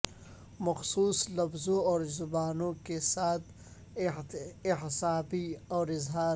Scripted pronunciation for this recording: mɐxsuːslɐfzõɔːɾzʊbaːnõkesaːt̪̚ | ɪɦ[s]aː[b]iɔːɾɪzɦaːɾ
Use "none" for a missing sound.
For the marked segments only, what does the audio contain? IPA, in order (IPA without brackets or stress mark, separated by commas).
s, b